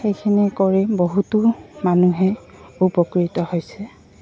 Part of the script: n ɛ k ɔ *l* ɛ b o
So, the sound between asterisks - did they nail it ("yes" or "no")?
no